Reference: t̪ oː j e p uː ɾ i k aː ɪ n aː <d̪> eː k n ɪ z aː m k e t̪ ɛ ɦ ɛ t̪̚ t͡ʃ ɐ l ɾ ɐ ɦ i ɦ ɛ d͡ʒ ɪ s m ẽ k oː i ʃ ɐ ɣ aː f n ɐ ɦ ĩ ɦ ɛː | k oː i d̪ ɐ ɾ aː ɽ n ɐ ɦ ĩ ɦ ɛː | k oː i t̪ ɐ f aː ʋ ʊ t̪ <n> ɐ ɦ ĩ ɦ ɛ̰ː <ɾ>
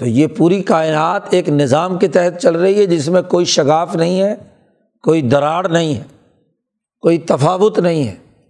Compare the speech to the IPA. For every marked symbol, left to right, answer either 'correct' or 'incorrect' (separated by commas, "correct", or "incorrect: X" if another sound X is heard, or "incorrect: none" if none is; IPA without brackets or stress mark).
incorrect: t̪, correct, incorrect: none